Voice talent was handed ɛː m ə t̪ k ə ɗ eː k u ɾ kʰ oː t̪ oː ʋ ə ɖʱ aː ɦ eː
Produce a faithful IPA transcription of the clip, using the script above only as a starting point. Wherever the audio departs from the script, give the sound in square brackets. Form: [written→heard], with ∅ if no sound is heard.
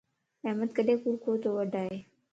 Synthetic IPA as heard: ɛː m ə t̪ k ə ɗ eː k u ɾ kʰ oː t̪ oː ʋ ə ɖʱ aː ɦ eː